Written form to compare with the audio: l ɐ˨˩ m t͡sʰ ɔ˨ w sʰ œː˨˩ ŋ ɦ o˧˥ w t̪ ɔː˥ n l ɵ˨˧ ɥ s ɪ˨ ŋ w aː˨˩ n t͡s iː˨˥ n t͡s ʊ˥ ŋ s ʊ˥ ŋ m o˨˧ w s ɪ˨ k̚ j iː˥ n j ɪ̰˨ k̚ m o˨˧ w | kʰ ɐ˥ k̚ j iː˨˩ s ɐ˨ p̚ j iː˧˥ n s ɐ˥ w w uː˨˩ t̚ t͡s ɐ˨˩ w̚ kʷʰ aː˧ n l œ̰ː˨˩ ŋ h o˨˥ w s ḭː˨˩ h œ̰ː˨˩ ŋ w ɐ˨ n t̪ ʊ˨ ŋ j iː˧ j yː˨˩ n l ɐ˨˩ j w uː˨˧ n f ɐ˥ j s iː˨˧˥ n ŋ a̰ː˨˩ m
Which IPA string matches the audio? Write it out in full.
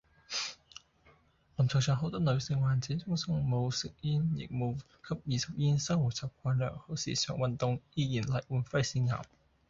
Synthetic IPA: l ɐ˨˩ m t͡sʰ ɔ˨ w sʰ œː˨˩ ŋ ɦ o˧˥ w t̪ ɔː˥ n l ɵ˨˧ ɥ s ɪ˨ ŋ w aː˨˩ n t͡s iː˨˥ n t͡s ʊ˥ ŋ s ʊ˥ ŋ m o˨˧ w s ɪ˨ k̚ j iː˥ n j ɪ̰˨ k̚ m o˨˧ w | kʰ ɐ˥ p̚ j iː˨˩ s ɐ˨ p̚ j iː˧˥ n s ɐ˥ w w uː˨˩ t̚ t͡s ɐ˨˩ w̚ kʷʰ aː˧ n l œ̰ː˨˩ ŋ h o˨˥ w s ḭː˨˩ s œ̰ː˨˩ ŋ w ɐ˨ n t̪ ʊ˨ ŋ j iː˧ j iː˨˩ n l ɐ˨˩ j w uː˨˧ n f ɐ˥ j s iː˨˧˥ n ŋ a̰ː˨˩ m

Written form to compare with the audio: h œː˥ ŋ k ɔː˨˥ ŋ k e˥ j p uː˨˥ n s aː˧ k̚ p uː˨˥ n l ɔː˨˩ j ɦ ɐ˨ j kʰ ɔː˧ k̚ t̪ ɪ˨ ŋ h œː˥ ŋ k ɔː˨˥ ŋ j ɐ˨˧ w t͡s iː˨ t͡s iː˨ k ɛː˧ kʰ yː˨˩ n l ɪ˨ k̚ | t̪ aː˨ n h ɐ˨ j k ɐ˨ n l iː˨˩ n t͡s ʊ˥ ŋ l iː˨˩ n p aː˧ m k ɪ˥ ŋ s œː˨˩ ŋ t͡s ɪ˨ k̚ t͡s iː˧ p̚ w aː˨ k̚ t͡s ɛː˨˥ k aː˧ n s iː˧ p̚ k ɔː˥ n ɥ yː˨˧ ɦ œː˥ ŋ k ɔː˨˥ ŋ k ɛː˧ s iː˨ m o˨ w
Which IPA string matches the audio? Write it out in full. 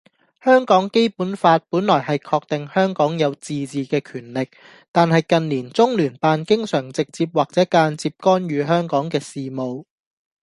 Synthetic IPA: h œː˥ ŋ k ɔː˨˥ ŋ k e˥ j p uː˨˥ n f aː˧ t̚ p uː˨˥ n l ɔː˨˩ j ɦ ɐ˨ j kʰ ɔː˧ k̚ t̪ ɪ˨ ŋ h œː˥ ŋ k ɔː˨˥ ŋ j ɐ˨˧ w t͡s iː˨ t͡s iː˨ k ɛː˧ kʰ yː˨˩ n l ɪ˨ k̚ | t̪ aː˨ n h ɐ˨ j k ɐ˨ n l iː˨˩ n t͡s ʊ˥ ŋ l yː˨˩ n p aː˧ n k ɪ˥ ŋ s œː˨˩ ŋ t͡s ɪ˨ k̚ t͡s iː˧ p̚ w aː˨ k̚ t͡s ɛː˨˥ k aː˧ n t͡s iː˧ p̚ k ɔː˥ n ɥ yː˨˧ ɦ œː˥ ŋ k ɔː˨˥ ŋ k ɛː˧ s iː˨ m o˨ w

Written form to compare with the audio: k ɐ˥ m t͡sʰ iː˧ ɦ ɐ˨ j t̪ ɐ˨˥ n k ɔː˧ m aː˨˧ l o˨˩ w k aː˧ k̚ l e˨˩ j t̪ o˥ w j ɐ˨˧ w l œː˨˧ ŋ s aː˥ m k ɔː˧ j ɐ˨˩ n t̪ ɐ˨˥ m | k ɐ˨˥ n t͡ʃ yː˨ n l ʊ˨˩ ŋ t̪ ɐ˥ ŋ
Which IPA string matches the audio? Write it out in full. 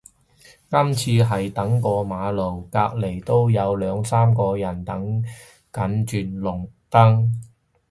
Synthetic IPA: k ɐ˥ m t͡sʰ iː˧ ɦ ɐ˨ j t̪ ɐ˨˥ ŋ k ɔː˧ m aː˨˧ l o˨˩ w k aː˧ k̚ l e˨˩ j t̪ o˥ w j ɐ˨˧ w l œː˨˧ ŋ s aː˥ m k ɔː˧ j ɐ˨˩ n t̪ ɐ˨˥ ŋ | k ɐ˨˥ n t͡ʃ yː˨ n l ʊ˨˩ ŋ t̪ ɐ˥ ŋ

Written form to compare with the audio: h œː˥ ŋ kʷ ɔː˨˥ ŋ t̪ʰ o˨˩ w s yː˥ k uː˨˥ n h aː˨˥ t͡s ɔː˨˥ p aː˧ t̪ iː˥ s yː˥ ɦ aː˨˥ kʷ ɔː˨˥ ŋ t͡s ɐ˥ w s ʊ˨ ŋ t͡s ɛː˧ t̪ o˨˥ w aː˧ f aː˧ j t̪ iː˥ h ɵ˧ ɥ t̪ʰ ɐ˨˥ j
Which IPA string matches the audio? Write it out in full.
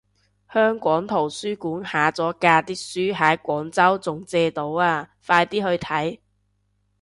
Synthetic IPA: h œː˥ ŋ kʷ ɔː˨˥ ŋ t̪ʰ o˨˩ w s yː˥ k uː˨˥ n h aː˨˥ t͡s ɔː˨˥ k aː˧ t̪ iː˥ s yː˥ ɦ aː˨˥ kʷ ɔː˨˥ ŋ t͡s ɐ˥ w t͡s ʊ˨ ŋ t͡s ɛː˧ t̪ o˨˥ w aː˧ f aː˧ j t̪ iː˥ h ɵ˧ ɥ t̪ʰ ɐ˨˥ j

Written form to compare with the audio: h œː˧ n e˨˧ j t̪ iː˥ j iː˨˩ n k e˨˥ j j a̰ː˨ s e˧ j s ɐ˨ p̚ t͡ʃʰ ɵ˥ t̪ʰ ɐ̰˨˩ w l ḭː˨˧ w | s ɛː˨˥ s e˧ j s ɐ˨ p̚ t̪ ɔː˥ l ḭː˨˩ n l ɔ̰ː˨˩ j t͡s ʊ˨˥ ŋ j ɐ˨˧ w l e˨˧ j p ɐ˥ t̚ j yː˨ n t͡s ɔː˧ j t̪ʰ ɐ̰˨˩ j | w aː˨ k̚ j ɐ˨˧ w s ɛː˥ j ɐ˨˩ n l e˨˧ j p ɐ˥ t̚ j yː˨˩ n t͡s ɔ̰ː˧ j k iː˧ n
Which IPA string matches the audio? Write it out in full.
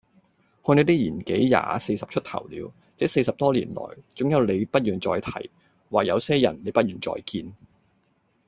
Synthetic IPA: h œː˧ n e˨˧ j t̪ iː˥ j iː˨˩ n k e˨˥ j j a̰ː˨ s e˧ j s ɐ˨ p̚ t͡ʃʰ ɵ˥ t̪ʰ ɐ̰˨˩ w l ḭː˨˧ w | t͡s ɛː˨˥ s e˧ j s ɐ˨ p̚ t̪ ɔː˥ l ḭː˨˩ n l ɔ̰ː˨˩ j t͡s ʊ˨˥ ŋ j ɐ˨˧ w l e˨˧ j p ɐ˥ t̚ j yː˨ n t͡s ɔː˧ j t̪ʰ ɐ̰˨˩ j | w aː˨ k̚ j ɐ˨˧ w s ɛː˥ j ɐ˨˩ n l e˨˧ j p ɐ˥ t̚ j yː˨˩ n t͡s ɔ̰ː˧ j k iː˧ n

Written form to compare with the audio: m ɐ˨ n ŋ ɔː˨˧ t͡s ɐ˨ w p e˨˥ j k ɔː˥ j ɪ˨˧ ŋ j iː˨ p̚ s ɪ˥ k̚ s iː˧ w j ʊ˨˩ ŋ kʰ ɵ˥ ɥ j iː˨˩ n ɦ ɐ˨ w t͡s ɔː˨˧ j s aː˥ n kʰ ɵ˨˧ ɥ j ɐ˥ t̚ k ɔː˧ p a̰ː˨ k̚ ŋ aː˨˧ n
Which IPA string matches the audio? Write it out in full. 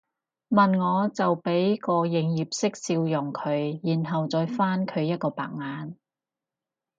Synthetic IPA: m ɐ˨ n ŋ ɔː˨˧ t͡s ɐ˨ w p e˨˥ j k ɔː˧ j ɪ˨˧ ŋ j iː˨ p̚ s ɪ˥ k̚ s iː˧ w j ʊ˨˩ ŋ kʰ ɵ˨˧ ɥ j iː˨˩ n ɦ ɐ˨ w t͡s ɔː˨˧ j f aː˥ n kʰ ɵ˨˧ ɥ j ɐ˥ t̚ k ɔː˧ p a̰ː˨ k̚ ŋ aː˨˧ n

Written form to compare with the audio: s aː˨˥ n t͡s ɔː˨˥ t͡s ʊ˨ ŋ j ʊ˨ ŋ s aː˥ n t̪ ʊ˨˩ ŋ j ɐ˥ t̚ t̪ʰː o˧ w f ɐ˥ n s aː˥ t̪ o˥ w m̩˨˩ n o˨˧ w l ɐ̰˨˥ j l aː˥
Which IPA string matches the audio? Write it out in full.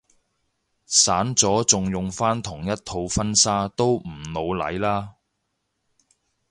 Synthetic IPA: s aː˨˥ n t͡s ɔː˨˥ t͡s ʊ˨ ŋ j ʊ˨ ŋ f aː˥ n t̪ʰ ʊ˨˩ ŋ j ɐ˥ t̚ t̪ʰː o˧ w f ɐ˥ n s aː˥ t̪ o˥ w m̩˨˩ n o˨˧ w l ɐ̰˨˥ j l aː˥

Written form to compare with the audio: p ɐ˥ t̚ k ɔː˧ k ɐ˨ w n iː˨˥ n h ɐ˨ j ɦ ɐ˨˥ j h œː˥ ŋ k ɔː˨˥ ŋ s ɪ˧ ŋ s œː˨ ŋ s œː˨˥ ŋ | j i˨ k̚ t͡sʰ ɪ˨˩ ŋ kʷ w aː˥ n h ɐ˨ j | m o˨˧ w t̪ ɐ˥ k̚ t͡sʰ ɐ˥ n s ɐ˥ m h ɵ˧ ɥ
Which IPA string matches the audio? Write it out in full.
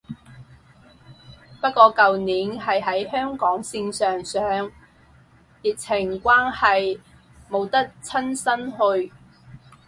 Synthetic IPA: p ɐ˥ t̚ k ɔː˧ k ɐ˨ w n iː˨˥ n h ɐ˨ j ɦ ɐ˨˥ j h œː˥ ŋ k ɔː˨˥ ŋ s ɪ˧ ŋ s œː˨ ŋ s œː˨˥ ŋ | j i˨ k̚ t͡sʰ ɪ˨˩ ŋ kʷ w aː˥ n h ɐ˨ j | m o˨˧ w t̪ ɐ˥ k̚ t͡sʰ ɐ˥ n s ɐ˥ n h ɵ˧ ɥ

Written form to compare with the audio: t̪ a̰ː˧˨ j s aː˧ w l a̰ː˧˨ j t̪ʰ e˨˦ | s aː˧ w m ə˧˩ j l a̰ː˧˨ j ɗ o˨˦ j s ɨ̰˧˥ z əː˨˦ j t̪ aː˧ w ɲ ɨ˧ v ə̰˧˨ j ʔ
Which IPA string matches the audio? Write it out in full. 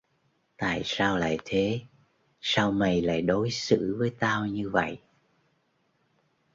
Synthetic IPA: t̪ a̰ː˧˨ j s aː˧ w l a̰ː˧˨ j t̪ʰ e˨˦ | s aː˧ w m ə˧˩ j l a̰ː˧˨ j ɗ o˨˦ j s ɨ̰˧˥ v əː˨˦ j t̪ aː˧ w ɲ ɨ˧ v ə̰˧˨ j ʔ

